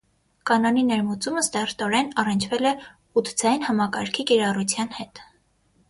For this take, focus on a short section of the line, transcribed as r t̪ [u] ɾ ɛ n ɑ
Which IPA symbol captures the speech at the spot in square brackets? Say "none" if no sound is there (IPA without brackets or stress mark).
ɔ